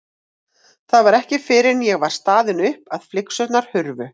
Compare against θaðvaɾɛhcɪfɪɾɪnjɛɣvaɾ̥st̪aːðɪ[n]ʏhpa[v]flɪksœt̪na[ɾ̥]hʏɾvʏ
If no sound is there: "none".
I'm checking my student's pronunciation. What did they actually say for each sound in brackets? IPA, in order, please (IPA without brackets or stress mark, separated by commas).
n, ð, ɾ̥